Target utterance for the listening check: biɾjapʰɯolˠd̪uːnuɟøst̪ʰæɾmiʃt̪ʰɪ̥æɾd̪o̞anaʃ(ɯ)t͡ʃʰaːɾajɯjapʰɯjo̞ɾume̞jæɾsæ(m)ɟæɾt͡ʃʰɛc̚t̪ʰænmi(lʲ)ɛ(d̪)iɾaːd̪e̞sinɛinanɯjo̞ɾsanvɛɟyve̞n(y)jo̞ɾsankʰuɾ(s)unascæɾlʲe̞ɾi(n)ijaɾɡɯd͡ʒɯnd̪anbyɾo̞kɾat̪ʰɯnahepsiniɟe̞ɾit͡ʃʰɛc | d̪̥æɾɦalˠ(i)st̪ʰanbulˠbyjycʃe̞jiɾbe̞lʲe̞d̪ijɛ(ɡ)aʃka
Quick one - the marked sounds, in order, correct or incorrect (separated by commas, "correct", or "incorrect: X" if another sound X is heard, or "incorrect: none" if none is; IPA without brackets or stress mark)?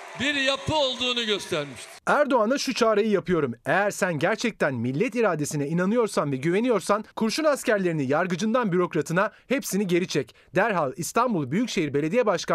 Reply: incorrect: u, incorrect: n, incorrect: lʲː, incorrect: t̪, incorrect: i, incorrect: ʃ, correct, correct, incorrect: b